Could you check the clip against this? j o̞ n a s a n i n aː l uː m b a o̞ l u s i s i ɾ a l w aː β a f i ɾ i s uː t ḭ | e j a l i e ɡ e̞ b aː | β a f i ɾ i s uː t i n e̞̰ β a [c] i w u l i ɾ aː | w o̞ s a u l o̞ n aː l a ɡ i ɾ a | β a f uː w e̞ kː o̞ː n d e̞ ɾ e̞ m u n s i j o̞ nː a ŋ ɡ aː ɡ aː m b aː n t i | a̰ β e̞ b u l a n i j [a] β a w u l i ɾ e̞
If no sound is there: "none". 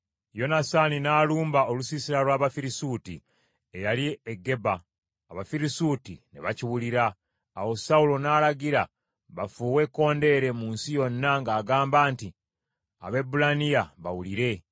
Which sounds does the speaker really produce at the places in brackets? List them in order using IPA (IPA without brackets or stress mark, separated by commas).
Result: c, a